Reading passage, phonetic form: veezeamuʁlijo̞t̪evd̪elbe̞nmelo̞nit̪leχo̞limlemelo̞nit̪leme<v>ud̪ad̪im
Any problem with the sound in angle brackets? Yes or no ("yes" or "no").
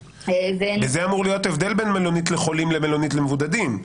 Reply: no